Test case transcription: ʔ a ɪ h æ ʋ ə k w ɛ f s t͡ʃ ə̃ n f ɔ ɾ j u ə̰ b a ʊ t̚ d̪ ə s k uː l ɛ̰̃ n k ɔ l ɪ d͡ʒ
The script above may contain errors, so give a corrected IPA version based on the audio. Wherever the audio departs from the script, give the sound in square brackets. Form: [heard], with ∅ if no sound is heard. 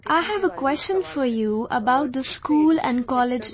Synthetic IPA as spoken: ʔ a ɪ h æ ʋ ə k w ɛ [∅] s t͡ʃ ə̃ n f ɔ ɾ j u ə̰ b a ʊ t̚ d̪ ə s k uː l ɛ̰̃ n k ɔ l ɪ d͡ʒ